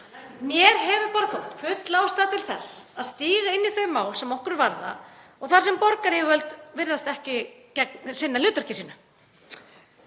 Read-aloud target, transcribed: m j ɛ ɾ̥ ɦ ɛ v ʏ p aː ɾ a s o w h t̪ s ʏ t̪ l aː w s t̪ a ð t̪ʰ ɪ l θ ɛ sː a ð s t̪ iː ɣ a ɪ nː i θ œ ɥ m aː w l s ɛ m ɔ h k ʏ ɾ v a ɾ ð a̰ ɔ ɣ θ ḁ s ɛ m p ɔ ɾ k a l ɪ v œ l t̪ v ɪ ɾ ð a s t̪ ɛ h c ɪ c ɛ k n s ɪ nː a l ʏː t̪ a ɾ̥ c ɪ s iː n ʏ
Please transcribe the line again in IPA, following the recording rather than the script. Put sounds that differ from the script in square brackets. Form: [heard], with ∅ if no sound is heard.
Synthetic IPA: m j ɛ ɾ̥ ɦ ɛ v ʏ p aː ɾ a [θ] o w h t̪ [f] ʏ t̪ l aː w s t̪ a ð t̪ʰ ɪ l θ ɛ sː a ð s t̪ iː ɣ a ɪ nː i θ œ ɥ m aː w l s ɛ m ɔ h k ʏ ɾ v a ɾ ð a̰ ɔ ɣ θ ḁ s ɛ m p ɔ ɾ k a [ɾ] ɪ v œ l t̪ v ɪ ɾ ð a s t̪ ɛ h c ɪ c ɛ k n s ɪ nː a l ʏː t̪ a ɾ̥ c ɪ s iː n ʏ